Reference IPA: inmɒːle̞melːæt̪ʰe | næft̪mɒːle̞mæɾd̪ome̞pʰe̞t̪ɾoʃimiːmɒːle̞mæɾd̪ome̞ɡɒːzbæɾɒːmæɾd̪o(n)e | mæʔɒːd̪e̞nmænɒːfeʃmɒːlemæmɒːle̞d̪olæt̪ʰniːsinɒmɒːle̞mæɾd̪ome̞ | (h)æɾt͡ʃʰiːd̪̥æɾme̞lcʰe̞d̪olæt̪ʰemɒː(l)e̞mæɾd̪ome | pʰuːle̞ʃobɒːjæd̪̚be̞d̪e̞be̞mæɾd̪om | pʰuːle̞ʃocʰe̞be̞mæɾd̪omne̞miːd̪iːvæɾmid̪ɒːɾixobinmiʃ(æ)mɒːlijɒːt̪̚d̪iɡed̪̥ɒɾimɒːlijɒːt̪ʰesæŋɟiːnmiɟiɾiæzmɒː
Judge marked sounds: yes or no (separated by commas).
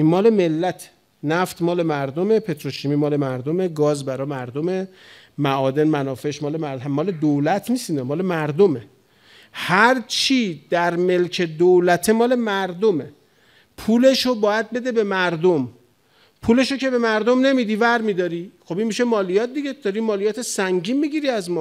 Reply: no, yes, yes, no